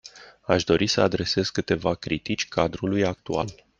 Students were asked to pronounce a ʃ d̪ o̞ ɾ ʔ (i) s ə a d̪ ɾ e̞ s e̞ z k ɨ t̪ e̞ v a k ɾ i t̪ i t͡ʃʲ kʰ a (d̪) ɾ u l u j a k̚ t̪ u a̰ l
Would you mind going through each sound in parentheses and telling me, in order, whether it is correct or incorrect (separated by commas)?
correct, correct